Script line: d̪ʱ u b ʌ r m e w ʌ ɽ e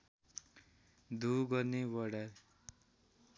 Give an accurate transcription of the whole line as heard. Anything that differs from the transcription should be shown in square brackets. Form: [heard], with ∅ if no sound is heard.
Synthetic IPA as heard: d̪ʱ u [ɡ] ʌ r [n] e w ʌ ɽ [a]